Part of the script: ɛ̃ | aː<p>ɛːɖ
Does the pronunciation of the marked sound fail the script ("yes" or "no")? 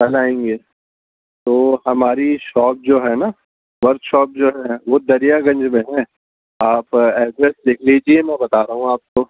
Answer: no